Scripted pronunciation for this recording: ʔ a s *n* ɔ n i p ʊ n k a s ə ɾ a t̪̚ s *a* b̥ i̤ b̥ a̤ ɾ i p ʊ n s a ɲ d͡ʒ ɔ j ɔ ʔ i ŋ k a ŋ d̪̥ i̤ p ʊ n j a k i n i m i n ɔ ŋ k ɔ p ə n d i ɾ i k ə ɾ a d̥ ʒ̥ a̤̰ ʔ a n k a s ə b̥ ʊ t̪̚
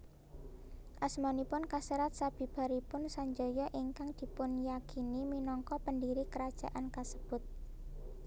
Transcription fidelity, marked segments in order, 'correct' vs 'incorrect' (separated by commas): incorrect, correct